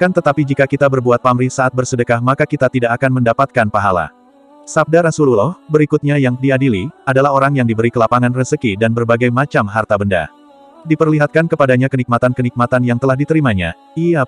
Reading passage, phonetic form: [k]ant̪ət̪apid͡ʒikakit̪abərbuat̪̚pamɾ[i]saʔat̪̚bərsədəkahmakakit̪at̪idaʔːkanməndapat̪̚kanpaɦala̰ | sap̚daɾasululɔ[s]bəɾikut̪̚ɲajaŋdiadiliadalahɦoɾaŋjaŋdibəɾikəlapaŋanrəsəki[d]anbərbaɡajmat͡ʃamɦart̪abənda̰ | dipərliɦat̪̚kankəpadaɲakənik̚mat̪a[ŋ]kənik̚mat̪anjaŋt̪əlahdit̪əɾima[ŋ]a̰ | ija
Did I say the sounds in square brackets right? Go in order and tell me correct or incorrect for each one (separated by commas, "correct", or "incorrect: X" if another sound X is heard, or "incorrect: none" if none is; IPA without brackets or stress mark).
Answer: correct, correct, incorrect: h, correct, incorrect: n, incorrect: ɲ